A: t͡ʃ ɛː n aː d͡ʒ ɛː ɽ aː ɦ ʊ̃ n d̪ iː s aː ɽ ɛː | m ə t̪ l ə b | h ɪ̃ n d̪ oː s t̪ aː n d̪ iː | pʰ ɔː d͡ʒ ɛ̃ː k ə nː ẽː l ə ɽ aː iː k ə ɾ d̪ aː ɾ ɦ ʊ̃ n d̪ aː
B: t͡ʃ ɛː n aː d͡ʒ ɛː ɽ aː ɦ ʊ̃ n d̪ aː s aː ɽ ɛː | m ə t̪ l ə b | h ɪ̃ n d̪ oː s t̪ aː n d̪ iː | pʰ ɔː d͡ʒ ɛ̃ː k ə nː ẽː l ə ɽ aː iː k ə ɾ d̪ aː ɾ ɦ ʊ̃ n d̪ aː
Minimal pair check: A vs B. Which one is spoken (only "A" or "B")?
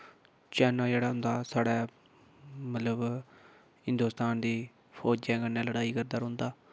B